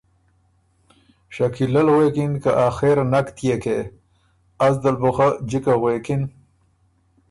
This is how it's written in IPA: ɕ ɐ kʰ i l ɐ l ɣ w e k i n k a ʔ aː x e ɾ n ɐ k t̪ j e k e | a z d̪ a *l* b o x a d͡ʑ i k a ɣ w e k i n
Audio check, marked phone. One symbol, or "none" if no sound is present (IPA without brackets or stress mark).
l